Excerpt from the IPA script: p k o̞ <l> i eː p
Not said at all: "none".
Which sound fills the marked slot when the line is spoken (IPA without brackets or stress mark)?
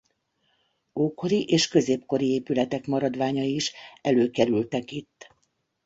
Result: ɾ